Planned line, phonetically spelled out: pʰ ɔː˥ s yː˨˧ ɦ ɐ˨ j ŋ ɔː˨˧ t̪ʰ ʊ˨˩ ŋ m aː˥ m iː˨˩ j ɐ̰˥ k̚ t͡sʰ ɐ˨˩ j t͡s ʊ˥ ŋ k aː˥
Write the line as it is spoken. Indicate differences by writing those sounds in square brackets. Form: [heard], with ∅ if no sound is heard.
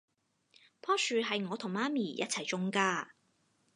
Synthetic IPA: pʰ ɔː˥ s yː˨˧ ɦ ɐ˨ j ŋ ɔː˨˧ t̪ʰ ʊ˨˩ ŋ m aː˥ m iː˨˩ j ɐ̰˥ [t̚] t͡sʰ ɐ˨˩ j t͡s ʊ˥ ŋ k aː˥

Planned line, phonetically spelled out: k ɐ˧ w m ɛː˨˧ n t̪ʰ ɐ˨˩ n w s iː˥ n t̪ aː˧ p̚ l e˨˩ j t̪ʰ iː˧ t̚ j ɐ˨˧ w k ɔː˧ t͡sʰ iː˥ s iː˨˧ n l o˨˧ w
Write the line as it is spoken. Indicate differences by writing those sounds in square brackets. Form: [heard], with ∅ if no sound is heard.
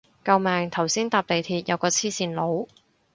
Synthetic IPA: k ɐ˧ w m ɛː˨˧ [ŋ] t̪ʰ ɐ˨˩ [∅] w s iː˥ n t̪ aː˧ p̚ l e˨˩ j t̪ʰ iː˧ t̚ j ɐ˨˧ w k ɔː˧ t͡sʰ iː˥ s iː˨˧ n l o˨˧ w

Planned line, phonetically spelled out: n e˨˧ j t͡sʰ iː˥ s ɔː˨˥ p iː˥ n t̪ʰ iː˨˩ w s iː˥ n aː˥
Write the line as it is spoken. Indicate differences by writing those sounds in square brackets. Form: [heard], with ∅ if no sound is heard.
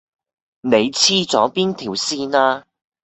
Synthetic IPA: n e˨˧ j t͡sʰ iː˥ [t͡s] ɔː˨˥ p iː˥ n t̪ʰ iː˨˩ w s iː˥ n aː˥

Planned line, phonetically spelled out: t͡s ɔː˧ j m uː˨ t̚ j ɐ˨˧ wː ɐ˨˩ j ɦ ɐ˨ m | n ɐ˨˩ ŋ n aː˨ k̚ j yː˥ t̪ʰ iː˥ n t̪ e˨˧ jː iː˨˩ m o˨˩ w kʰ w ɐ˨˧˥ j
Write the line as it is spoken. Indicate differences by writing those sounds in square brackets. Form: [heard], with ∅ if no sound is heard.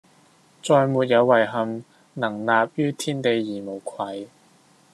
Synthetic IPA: t͡s ɔː˧ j m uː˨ t̚ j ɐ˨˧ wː ɐ˨˩ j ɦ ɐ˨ m | n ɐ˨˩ ŋ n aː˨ [p̚] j yː˥ t̪ʰ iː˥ n t̪ e˨˧ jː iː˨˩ m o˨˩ w kʰ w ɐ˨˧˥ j

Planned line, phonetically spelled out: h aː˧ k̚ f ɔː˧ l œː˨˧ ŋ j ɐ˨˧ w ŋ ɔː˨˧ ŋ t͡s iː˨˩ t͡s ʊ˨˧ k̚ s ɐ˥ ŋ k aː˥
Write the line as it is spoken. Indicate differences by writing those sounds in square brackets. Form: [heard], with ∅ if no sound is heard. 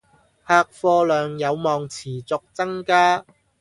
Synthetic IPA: h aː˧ k̚ f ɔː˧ l œː˨˧ ŋ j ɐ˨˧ w [m] ɔː˨˧ ŋ [t͡sʰ] iː˨˩ t͡s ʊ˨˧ k̚ [t͡s] ɐ˥ ŋ k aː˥

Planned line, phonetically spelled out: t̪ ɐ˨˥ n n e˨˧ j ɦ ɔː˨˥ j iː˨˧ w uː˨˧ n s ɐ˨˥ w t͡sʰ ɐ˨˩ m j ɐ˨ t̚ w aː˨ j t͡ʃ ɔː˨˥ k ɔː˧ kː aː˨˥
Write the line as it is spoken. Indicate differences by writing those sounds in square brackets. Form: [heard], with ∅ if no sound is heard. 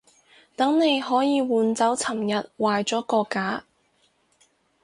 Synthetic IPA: t̪ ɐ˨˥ [ŋ] n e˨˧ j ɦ ɔː˨˥ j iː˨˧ w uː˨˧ n [t͡s] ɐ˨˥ w t͡sʰ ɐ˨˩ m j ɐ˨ t̚ w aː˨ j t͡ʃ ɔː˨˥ k ɔː˧ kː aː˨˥

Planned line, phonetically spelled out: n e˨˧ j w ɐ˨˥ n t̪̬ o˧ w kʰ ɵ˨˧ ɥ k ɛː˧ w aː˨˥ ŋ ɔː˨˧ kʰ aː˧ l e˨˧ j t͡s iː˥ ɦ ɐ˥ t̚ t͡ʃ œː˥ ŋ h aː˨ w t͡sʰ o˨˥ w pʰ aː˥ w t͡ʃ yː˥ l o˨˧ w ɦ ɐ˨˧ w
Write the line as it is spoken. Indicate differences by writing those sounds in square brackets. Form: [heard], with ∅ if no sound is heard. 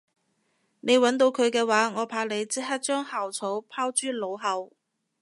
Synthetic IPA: n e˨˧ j w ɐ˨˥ n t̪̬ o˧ w kʰ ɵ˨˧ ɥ k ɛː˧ w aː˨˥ ŋ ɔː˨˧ [pʰ] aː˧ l e˨˧ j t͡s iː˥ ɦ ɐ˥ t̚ t͡ʃ œː˥ ŋ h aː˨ w t͡sʰ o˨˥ w pʰ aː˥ w t͡ʃ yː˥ l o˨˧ w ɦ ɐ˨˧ w

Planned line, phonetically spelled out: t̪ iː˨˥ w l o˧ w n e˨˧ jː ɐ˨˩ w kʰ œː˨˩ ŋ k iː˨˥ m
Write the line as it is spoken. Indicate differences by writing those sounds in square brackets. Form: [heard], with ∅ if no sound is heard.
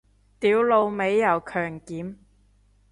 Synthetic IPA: t̪ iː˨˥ w l o˧ w [m] e˨˧ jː ɐ˨˩ w kʰ œː˨˩ ŋ k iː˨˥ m

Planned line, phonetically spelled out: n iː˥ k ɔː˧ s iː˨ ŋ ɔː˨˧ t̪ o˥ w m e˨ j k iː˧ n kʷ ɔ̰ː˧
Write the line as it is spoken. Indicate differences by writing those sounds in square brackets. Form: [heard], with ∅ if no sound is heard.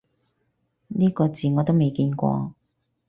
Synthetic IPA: n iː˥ k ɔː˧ [t͡s] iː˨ ŋ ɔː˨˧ t̪ o˥ w m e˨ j k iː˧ n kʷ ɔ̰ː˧

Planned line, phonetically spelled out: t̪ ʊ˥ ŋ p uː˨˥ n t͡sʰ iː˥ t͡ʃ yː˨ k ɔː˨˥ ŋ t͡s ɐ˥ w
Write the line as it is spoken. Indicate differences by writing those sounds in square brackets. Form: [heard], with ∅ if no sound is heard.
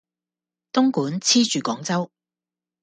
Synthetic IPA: t̪ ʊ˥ ŋ [k] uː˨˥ n t͡sʰ iː˥ t͡ʃ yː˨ k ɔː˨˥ ŋ t͡s ɐ˥ w

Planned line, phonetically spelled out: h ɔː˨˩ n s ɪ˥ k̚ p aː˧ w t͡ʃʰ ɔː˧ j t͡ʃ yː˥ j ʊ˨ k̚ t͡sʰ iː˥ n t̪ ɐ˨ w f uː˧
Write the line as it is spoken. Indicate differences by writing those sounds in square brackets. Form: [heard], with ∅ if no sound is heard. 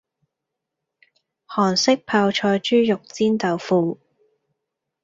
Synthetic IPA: h ɔː˨˩ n s ɪ˥ k̚ [pʰ] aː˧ w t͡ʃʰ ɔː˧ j t͡ʃ yː˥ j ʊ˨ k̚ [t͡s] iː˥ n t̪ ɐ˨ w f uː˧

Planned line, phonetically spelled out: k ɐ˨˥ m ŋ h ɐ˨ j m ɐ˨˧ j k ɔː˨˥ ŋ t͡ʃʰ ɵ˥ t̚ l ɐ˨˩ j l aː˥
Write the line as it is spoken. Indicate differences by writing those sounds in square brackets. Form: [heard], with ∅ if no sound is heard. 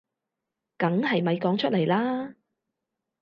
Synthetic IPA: k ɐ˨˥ [∅] ŋ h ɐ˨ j m ɐ˨˧ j k ɔː˨˥ ŋ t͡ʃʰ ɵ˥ t̚ l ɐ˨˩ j l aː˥

